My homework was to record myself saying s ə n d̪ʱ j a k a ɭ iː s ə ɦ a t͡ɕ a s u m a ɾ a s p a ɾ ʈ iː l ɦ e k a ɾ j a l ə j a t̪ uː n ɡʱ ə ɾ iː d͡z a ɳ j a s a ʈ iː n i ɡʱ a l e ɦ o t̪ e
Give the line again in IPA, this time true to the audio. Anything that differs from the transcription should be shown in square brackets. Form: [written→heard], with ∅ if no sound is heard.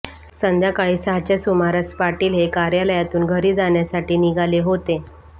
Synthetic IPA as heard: s ə n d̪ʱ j a k a ɭ iː s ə ɦ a t͡ɕ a s u m a ɾ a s p a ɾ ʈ iː l ɦ e k a ɾ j a l ə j a t̪ uː n ɡʱ ə ɾ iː d͡z a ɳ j a s a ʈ iː n i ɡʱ a l e ɦ o t̪ e